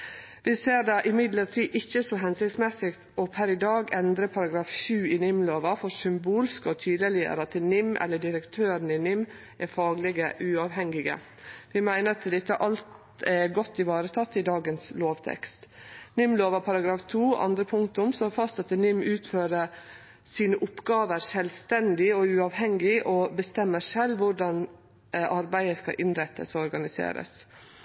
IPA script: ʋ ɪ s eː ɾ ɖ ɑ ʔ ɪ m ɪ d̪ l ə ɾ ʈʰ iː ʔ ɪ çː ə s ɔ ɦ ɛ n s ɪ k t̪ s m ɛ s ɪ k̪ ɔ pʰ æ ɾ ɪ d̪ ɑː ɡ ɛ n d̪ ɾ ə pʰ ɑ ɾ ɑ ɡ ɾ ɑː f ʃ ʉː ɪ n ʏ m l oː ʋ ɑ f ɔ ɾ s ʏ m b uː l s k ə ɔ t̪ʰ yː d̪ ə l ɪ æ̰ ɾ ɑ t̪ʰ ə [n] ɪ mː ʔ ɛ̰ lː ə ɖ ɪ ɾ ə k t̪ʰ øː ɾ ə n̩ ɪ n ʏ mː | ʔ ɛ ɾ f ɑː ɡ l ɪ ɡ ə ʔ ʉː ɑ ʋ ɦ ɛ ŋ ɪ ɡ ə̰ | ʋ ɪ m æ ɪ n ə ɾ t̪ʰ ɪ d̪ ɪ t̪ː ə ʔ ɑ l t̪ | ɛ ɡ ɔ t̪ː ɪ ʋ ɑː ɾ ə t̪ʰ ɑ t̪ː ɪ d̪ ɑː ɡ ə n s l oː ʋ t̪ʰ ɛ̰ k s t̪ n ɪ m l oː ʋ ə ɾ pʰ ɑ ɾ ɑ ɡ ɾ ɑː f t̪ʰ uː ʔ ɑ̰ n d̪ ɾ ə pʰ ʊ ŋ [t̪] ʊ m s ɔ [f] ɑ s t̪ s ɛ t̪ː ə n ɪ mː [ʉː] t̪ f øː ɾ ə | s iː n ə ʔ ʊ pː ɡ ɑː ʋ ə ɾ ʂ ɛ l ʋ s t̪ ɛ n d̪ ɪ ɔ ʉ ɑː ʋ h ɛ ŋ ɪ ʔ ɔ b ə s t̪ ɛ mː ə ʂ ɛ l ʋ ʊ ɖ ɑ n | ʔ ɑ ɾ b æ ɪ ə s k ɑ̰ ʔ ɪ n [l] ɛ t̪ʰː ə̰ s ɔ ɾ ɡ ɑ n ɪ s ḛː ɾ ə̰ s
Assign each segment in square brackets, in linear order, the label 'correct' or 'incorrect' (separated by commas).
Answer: correct, correct, correct, correct, incorrect